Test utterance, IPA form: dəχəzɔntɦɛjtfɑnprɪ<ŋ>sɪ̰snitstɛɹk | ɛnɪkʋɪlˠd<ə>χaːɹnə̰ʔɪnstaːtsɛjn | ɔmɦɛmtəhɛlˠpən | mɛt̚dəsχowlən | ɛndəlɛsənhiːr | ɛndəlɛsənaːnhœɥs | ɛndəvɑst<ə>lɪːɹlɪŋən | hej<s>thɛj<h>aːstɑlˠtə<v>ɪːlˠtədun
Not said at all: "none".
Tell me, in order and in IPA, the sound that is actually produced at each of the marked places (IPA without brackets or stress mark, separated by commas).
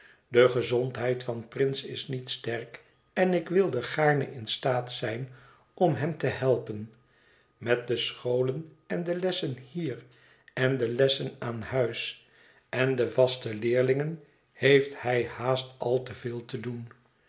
n, ə, ə, f, h, v